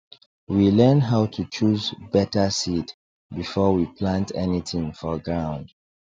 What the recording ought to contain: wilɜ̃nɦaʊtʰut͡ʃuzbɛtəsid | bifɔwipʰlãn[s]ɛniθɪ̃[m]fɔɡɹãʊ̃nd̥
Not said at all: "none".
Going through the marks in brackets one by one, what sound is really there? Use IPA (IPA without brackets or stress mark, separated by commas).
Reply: t, ŋ